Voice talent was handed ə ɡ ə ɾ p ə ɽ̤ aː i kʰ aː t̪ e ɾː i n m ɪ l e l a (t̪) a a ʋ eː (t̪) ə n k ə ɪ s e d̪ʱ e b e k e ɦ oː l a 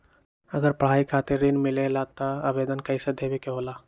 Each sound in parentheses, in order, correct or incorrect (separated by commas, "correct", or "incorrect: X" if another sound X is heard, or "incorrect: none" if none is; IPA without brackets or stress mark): correct, incorrect: d̪